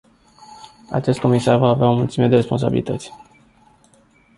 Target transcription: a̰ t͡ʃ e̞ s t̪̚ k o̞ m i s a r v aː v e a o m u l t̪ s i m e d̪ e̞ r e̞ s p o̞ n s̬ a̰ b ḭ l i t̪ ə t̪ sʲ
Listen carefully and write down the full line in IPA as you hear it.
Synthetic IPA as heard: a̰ t͡ʃ e̞ s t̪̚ k o̞ m i s a r v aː v e a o m u l t̪ s i m e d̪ e̞ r e̞ s p o̞ n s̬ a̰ b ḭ l i t̪ ə t̪ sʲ